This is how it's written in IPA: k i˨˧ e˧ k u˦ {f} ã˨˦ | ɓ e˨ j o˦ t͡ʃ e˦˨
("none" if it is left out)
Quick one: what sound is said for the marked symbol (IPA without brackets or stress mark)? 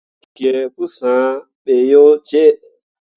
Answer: s